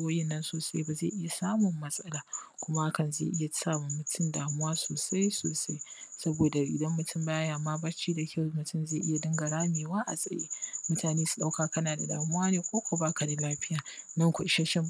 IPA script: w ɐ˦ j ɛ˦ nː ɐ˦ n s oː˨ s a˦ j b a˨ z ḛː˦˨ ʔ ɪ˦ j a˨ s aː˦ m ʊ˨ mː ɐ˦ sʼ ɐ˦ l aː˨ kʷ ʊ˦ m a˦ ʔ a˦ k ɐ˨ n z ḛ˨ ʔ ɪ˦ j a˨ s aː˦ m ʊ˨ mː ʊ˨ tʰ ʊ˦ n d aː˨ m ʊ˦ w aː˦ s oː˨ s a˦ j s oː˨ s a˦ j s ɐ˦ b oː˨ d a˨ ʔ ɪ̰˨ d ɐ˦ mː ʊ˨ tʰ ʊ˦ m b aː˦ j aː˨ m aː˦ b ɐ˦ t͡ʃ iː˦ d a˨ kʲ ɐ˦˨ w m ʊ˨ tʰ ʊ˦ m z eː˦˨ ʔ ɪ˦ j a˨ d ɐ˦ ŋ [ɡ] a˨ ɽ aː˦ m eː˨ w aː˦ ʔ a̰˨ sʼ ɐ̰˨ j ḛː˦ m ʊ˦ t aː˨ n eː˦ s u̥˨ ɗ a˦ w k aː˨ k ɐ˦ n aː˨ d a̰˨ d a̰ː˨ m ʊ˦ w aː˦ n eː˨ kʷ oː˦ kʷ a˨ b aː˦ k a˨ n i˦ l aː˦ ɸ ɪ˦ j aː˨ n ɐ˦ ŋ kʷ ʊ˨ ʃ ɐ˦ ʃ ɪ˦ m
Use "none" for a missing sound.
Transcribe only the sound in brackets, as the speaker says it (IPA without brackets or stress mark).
ɡ